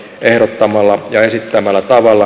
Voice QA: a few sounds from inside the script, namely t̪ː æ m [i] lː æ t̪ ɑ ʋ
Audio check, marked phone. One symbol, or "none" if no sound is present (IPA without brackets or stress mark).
æ